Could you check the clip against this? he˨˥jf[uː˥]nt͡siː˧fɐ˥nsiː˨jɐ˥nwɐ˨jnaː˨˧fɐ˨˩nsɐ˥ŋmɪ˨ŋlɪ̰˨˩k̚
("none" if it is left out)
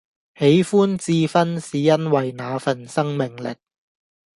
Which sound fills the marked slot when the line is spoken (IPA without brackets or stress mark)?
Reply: uː˥